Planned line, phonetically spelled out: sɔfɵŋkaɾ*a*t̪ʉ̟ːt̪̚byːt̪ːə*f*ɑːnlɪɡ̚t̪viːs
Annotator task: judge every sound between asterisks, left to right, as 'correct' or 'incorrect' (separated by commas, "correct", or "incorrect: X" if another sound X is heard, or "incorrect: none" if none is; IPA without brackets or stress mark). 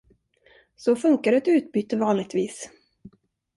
incorrect: ɛ, incorrect: v